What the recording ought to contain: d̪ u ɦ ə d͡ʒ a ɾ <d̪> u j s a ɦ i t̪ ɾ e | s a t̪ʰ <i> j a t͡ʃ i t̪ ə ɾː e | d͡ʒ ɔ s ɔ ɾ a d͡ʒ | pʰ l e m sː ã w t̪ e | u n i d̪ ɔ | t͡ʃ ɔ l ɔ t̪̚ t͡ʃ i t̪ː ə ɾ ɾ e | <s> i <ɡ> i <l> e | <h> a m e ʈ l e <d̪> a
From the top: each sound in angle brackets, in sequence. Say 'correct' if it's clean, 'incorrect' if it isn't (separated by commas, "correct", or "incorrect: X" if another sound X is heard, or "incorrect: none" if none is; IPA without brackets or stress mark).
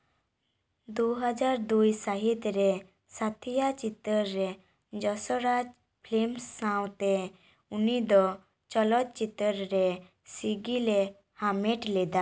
correct, correct, correct, correct, correct, correct, correct